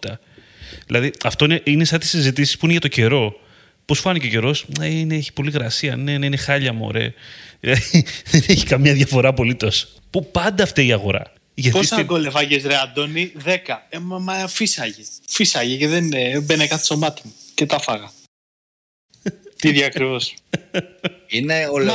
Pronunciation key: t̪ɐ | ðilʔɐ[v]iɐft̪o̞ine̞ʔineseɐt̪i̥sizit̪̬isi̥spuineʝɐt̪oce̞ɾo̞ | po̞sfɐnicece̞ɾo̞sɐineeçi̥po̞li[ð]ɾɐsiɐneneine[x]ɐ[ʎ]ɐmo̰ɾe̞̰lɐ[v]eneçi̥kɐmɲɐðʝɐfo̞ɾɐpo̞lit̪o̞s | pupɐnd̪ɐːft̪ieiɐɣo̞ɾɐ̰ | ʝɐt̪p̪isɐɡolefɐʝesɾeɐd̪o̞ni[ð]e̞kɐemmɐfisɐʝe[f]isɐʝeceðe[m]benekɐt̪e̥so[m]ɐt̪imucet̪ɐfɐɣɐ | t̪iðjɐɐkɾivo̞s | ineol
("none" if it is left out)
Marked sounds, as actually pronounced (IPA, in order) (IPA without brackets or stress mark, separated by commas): ð, ɣ, x, ʎ, ð, ð, f, n, m